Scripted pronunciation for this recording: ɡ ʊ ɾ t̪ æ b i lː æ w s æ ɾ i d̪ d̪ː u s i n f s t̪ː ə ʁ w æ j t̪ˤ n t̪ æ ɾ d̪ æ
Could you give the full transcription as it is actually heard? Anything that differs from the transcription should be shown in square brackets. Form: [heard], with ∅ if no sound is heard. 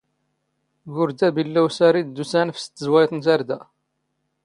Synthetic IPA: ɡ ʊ ɾ [d̪] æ b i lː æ w s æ ɾ i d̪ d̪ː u s [æ] n f s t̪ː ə [z] w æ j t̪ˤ n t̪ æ ɾ d̪ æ